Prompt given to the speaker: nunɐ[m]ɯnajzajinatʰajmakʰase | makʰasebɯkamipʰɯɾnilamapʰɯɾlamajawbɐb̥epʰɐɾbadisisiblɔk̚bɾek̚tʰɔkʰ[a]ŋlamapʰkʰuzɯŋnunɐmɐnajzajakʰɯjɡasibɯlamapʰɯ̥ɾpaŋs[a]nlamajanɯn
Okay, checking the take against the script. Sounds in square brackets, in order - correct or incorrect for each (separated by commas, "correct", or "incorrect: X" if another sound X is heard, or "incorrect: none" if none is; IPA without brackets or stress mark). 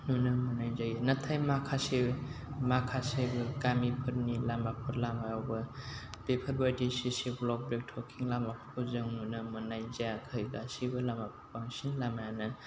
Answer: correct, incorrect: i, incorrect: i